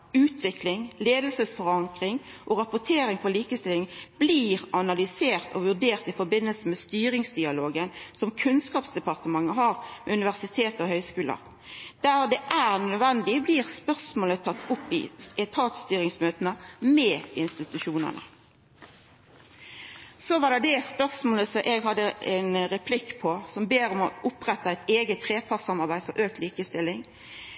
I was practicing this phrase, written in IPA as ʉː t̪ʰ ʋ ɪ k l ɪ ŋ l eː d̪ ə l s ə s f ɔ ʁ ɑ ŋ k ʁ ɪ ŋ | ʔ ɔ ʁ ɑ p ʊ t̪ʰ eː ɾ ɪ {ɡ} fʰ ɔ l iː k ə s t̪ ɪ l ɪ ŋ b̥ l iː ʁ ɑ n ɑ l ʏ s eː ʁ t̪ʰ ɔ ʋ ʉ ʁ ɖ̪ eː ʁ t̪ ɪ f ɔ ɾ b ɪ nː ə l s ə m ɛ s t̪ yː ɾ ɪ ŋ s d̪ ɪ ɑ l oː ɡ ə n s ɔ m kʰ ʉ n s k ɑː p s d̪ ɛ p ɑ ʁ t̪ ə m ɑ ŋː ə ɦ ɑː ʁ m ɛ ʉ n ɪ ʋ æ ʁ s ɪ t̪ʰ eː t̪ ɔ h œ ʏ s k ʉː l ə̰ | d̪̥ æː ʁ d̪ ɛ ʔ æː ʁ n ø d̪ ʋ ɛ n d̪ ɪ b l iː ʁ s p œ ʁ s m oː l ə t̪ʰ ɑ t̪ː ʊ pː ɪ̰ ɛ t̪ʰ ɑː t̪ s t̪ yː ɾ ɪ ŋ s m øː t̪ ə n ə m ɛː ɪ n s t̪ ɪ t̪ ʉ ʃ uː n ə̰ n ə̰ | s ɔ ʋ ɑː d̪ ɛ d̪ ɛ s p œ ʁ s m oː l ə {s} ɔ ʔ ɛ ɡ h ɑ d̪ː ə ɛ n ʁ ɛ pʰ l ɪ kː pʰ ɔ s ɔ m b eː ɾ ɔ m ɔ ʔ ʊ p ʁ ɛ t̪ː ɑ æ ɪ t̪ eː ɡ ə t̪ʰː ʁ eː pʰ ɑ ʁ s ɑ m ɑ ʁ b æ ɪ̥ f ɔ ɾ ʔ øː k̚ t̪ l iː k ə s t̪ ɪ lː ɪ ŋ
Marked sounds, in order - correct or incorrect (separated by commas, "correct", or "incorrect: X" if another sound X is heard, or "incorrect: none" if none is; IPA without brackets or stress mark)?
incorrect: ŋ, correct